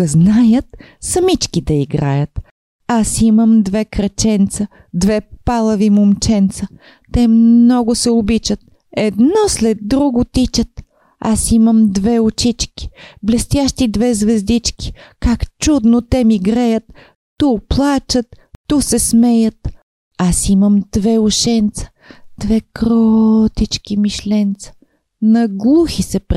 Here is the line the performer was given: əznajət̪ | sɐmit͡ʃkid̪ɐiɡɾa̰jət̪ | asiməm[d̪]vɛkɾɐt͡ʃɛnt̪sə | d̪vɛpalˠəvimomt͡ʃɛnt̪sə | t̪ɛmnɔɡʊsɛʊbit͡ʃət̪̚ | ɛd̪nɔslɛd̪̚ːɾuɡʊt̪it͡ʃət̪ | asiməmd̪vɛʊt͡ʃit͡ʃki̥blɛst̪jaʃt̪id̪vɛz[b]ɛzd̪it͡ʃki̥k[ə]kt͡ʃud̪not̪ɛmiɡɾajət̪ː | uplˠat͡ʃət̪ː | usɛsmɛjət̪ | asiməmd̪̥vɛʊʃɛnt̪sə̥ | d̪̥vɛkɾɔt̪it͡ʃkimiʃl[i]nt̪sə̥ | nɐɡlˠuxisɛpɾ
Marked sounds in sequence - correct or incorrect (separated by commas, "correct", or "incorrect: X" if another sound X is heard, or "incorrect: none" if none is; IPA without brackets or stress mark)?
correct, incorrect: v, incorrect: a, incorrect: ɛ